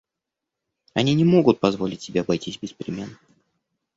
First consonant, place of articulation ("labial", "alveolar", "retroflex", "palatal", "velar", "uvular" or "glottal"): alveolar